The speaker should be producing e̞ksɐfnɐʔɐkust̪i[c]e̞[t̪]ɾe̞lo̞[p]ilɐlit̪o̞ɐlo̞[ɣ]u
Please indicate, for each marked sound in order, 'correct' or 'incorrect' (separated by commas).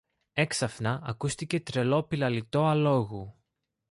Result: correct, correct, correct, correct